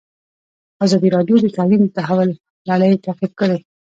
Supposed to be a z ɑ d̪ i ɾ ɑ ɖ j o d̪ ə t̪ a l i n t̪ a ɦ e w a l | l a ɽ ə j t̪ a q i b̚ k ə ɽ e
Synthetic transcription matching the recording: a z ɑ d̪ i ɾ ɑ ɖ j o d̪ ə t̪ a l i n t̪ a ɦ a w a l | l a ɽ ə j t̪ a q i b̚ k ə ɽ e